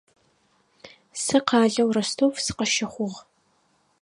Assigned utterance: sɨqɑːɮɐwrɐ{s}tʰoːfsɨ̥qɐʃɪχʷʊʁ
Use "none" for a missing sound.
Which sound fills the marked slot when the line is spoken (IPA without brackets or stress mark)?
s